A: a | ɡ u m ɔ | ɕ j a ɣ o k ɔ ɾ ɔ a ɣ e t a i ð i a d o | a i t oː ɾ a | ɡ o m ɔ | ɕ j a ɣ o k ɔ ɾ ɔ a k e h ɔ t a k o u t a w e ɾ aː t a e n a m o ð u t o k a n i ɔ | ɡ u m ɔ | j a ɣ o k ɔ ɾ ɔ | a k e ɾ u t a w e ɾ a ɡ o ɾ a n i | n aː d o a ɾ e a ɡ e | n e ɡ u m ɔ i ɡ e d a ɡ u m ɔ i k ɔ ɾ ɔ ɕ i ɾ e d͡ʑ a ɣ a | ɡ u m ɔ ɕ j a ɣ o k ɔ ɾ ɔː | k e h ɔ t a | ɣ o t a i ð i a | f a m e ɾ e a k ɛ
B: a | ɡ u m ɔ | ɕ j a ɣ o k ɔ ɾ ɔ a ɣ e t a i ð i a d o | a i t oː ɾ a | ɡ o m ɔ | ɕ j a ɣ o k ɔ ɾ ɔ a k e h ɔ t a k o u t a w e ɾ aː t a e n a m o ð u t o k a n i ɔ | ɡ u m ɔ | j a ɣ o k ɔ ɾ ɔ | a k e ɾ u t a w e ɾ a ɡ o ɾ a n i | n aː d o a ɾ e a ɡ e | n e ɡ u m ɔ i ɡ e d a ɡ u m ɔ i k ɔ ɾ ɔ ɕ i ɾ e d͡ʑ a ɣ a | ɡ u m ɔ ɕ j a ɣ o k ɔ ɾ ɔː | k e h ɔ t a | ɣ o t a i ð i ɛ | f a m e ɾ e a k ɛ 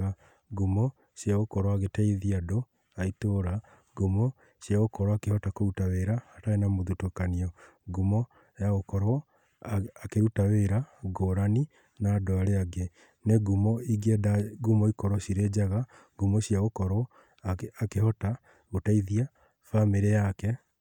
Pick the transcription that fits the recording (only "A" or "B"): A